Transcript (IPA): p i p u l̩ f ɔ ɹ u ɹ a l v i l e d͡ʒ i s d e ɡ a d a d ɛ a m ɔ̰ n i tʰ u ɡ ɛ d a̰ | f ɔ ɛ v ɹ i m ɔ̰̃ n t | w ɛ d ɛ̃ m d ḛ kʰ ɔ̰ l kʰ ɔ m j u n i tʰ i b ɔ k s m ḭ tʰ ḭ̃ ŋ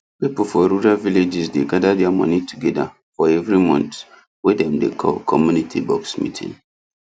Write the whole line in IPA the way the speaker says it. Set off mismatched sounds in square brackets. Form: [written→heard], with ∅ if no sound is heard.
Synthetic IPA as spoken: p i p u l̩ f ɔ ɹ u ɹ a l v i l e d͡ʒ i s d e ɡ a d a d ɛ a m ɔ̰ n i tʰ u ɡ ɛ d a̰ | f ɔ ɛ v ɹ i m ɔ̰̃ n t | w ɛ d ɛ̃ m d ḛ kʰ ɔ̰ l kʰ ɔ m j u n i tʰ i b ɔ k s m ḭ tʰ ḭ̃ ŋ